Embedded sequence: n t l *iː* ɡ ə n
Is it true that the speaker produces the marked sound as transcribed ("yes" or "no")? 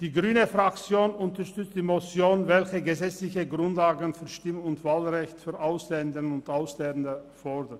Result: no